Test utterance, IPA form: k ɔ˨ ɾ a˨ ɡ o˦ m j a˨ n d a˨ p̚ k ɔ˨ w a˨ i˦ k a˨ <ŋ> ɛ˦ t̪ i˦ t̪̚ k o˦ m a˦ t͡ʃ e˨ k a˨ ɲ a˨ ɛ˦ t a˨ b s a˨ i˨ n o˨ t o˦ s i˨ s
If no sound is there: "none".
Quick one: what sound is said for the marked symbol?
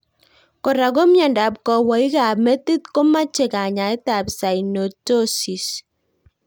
m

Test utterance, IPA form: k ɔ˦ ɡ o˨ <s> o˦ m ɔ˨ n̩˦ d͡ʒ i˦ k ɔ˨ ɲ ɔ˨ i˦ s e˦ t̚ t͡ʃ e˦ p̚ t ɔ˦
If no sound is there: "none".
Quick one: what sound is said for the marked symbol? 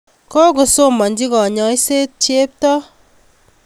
s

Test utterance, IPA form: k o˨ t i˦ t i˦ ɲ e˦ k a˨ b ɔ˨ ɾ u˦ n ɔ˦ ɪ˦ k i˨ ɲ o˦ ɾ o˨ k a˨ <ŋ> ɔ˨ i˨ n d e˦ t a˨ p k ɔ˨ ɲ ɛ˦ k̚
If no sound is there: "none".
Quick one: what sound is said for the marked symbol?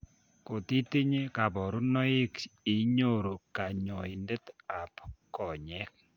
ɲ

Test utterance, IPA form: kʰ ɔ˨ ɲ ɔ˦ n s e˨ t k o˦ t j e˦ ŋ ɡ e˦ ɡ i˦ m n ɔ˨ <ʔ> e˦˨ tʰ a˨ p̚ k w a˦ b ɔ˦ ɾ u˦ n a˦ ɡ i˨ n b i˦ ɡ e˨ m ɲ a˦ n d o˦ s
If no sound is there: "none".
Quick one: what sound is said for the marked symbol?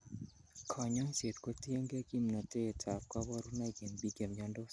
t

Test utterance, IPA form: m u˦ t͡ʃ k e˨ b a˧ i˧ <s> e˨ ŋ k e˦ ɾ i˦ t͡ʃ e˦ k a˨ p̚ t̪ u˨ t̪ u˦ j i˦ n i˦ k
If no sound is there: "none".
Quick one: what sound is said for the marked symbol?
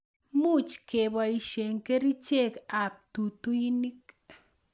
ʃ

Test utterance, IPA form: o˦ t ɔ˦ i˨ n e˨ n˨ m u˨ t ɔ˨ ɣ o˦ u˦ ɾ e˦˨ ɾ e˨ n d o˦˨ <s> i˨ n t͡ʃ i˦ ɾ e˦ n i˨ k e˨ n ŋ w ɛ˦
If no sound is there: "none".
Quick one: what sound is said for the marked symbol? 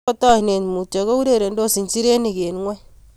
s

